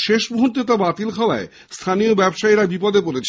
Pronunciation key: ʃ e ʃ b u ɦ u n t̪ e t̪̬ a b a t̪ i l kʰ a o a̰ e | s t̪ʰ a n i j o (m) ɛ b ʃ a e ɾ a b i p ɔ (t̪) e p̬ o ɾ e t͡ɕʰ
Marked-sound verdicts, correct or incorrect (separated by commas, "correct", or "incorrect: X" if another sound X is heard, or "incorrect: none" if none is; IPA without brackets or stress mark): incorrect: b, incorrect: d̪